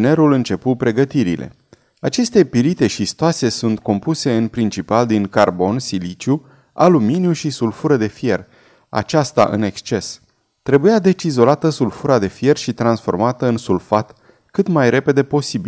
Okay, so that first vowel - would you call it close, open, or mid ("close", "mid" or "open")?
mid